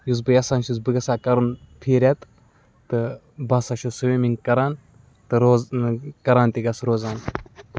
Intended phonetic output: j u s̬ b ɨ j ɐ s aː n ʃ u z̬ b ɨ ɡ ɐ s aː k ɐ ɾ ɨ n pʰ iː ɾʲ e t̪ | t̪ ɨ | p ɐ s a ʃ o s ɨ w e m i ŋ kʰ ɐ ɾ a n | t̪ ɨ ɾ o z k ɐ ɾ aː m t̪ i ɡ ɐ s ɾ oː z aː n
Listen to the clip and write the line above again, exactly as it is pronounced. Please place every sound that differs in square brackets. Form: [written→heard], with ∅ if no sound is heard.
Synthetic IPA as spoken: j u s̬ b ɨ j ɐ s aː n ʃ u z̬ b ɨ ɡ ɐ s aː k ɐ ɾ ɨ n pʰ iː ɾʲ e t̪ | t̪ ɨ | [p→b] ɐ s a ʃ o s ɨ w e m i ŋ [kʰ→k] ɐ ɾ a n | t̪ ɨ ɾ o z k ɐ ɾ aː [m→n] t̪ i ɡ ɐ s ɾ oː z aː n